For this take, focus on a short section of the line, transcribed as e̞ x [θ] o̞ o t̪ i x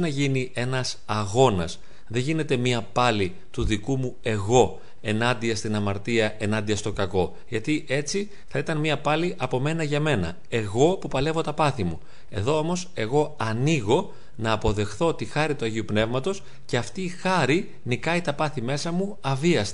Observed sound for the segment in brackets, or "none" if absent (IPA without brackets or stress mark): θ